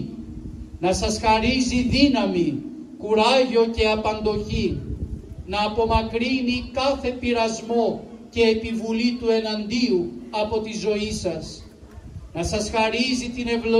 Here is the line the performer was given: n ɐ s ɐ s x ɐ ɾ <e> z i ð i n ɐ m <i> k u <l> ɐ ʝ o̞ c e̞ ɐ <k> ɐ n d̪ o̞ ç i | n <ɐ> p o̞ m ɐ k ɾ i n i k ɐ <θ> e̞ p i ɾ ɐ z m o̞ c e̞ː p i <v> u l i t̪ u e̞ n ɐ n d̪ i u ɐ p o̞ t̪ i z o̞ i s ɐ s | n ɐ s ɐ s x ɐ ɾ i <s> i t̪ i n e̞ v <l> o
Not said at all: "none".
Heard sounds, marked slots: i, i, ɾ, p, ɐː, θ, v, z, l

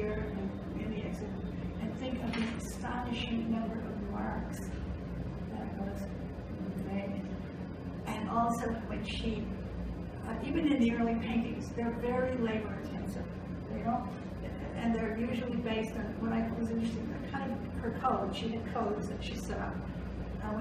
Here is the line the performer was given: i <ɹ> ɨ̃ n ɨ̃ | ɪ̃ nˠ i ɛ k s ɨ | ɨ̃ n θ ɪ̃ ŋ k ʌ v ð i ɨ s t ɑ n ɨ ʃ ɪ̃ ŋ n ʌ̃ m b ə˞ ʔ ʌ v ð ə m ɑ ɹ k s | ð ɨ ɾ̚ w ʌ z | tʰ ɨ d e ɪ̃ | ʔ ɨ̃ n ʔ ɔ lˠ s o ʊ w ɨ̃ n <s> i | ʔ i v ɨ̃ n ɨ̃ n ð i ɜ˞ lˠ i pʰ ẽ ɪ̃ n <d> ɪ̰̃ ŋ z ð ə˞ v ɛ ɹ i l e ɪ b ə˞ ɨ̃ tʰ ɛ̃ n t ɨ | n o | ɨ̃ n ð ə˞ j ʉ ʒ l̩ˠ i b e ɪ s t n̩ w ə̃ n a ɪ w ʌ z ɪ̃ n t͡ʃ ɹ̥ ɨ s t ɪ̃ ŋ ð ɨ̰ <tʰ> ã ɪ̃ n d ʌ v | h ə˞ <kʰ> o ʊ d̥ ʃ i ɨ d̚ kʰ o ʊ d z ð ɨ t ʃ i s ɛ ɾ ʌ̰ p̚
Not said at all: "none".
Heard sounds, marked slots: ɹ, ʃ, t, kʰ, kʰ

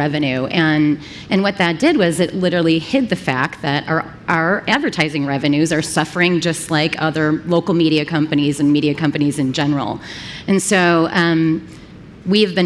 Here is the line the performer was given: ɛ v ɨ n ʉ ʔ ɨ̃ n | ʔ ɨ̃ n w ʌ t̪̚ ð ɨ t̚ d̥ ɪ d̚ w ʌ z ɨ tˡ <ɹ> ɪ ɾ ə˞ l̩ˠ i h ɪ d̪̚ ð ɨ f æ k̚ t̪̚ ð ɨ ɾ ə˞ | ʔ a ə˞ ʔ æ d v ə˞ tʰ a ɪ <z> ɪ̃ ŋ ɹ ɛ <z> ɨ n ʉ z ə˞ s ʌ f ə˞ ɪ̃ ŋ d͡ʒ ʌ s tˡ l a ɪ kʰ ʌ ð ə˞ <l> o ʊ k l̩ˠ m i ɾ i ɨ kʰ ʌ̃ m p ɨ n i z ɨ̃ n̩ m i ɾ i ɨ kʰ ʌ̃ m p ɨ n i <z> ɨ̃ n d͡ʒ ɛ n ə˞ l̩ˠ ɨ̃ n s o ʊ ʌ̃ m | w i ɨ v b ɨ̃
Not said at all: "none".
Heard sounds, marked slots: l, z, v, l, z

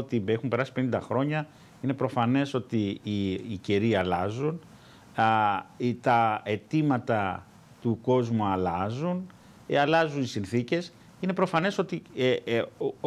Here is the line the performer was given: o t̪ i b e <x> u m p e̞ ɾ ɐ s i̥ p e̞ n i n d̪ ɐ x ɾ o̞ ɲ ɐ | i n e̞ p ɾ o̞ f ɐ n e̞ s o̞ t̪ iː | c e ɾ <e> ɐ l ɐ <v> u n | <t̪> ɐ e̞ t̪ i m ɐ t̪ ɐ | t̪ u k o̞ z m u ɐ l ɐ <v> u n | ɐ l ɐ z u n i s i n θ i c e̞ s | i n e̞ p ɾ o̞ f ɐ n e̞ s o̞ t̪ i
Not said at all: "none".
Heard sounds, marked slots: x, i, z, t̪, z

